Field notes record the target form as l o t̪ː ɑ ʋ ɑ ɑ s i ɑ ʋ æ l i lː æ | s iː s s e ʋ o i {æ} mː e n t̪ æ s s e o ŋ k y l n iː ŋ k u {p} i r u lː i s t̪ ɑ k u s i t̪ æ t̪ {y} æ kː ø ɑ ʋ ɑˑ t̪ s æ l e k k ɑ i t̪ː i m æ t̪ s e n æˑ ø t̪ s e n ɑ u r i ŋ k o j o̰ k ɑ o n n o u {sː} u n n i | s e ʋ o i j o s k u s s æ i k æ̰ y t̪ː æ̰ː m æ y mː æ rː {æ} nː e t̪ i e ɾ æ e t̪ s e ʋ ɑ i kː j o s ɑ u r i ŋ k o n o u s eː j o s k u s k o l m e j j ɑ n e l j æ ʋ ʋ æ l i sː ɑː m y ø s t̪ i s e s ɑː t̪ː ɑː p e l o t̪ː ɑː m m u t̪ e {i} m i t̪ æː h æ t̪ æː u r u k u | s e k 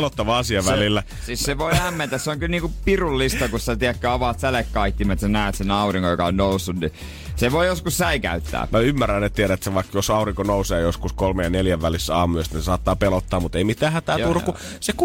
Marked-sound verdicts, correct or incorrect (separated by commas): correct, correct, incorrect, correct, correct, correct